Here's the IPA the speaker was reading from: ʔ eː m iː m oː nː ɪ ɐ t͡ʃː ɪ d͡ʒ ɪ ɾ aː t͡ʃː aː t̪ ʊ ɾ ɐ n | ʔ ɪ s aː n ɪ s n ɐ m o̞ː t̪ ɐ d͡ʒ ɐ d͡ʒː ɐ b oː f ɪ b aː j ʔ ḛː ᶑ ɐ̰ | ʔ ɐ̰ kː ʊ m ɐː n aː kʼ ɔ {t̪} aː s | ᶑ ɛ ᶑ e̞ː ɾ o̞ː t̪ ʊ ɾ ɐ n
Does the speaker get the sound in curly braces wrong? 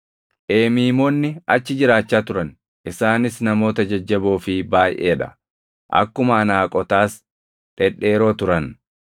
no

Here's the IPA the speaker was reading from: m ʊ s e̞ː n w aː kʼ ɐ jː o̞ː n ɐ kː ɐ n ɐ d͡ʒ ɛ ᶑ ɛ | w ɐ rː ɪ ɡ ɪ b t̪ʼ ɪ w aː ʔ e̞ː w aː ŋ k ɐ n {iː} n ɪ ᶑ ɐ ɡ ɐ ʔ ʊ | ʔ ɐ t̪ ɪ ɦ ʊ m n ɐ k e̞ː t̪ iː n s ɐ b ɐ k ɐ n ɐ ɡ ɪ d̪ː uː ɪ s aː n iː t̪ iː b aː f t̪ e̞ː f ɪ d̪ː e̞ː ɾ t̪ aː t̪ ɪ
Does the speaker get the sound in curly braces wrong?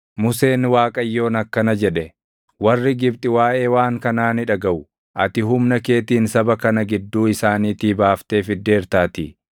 yes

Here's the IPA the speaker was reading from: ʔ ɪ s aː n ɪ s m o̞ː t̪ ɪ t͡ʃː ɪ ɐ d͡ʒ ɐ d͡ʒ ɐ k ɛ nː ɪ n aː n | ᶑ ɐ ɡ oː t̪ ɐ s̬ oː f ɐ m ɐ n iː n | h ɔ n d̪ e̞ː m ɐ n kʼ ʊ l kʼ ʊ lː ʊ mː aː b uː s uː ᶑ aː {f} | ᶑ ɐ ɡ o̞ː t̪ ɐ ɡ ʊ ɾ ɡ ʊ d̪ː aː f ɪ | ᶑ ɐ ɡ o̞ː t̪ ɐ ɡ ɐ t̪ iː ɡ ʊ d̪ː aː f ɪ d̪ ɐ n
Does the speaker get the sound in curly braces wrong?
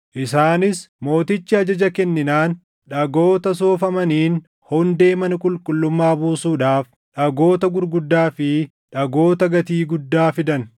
no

